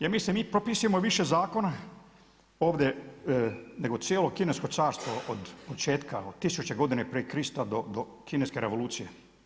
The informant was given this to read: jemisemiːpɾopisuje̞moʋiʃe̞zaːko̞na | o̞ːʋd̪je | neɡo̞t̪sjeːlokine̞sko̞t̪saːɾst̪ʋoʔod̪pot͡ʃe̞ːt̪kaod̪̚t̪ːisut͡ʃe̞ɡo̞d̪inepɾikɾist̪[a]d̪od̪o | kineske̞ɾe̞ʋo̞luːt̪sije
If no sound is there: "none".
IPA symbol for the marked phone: a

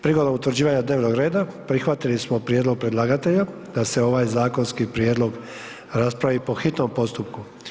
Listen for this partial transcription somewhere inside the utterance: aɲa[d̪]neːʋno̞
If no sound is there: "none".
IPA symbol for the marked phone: d̪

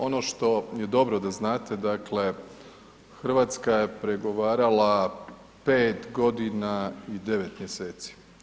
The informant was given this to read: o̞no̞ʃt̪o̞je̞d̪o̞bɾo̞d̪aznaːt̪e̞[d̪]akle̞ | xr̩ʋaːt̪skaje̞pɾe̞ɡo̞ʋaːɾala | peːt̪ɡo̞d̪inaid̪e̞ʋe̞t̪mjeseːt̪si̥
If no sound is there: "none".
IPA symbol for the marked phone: d̪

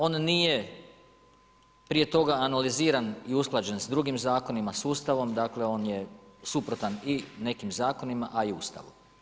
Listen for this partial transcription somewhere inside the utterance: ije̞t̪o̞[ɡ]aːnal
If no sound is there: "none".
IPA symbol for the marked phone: ɡ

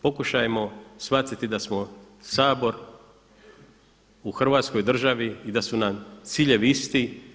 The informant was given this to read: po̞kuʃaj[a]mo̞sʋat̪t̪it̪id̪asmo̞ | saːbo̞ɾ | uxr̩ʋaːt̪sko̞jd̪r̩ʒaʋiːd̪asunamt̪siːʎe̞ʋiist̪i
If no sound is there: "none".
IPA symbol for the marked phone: e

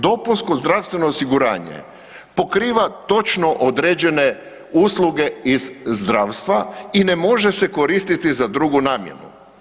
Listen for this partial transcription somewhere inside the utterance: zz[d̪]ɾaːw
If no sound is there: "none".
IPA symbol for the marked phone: d̪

